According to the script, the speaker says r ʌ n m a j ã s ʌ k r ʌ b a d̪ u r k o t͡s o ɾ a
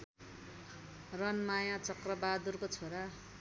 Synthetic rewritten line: r ʌ n m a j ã t͡s ʌ k r ʌ b a d̪ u r k o t͡sʰ o ɾ a